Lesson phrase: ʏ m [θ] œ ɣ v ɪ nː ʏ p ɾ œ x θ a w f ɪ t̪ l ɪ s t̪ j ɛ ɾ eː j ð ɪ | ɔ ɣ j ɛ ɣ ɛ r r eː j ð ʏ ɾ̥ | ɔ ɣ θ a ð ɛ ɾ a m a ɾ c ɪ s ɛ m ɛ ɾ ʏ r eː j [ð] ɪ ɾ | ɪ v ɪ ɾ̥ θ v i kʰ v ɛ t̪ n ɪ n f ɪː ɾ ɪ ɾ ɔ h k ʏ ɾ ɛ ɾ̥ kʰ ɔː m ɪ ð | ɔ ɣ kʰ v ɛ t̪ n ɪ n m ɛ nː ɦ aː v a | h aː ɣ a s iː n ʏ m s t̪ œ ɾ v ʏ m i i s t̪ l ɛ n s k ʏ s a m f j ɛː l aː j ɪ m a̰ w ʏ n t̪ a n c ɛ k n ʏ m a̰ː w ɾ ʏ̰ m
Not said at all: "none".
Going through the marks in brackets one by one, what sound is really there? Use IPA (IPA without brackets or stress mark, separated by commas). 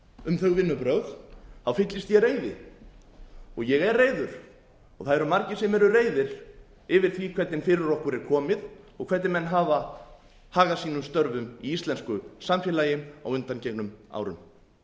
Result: θ, ð